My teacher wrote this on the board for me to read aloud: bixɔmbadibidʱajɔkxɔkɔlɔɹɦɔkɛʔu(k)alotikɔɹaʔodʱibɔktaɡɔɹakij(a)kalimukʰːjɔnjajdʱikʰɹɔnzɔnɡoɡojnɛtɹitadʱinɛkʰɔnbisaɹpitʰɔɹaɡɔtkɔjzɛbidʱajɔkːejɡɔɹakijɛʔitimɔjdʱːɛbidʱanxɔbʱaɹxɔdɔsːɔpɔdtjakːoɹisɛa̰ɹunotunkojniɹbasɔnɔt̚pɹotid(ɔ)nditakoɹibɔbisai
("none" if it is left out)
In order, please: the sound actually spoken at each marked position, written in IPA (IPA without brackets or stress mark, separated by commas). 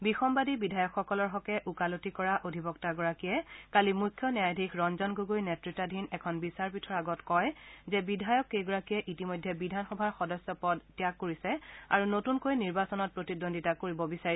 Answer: k, ɛ, o